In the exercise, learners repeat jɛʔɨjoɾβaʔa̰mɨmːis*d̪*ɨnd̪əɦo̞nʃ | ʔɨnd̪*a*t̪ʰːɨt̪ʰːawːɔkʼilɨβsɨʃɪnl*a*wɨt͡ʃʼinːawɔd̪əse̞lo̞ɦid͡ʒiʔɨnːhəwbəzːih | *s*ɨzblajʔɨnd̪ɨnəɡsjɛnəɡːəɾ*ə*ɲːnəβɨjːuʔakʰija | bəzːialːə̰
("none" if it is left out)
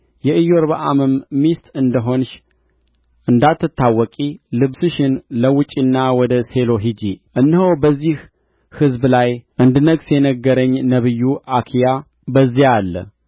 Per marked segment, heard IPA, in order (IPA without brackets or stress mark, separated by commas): t̪, a, ə, h, ə